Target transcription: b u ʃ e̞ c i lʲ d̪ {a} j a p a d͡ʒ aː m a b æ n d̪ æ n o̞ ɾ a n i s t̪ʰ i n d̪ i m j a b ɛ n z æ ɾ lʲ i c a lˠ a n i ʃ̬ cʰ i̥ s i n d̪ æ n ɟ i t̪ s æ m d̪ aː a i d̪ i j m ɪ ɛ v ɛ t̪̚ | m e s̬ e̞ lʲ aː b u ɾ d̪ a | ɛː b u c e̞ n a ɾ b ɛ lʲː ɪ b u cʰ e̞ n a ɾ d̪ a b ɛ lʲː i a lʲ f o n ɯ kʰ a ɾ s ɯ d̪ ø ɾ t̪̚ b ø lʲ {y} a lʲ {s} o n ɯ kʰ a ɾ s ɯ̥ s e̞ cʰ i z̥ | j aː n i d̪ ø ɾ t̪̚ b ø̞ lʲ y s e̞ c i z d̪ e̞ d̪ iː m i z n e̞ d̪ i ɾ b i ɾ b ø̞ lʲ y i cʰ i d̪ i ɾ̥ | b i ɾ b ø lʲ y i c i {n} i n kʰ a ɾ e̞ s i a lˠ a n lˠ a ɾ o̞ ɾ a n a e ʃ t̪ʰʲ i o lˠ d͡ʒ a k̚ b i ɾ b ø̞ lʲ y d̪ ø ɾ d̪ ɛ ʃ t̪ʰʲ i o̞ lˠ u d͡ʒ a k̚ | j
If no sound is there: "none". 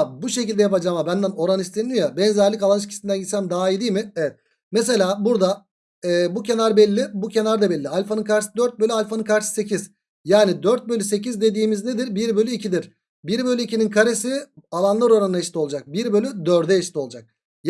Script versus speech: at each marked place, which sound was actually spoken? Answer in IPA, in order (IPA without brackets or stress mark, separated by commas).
ɛ, y, f, n